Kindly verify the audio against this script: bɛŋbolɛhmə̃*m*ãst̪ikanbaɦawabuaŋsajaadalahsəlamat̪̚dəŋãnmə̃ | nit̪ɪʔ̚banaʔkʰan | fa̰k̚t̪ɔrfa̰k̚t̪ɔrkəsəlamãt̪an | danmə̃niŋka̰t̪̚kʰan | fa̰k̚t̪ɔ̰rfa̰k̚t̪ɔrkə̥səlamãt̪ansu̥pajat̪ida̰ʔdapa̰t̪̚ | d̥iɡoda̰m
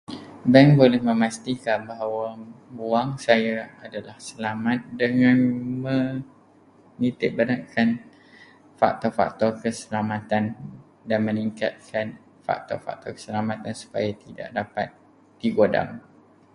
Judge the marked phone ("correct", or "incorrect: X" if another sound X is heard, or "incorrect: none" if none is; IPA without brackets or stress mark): correct